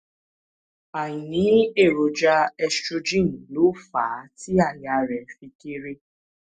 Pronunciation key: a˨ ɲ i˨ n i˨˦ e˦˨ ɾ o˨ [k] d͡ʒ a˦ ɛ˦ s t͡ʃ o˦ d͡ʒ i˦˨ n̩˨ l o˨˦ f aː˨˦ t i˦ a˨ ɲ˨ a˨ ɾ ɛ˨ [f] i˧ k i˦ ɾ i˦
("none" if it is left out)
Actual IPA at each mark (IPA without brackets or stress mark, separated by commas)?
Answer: none, f